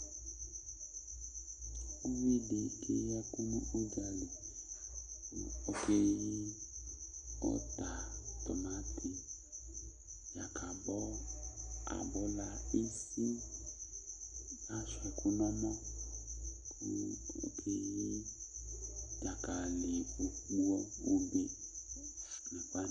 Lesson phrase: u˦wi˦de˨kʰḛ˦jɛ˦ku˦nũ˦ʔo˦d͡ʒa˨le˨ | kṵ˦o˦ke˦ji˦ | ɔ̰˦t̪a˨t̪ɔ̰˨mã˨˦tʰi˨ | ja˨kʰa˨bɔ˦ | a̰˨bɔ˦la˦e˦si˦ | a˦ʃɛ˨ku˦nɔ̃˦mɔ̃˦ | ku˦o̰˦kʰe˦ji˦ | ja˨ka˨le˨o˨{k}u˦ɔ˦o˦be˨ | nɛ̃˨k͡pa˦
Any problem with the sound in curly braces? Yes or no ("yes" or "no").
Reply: yes